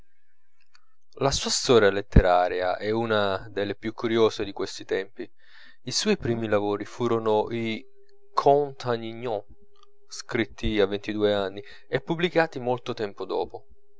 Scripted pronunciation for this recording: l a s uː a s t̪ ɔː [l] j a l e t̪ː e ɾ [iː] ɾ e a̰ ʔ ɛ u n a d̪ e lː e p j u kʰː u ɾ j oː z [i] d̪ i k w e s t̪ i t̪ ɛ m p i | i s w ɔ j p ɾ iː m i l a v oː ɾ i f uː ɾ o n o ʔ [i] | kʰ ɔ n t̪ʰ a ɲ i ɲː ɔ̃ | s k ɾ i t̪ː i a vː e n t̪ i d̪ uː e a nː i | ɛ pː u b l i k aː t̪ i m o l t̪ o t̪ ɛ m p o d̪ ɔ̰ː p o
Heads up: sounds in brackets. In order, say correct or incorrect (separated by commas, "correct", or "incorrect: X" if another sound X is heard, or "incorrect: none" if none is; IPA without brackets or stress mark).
incorrect: ɾ, incorrect: aː, incorrect: e, correct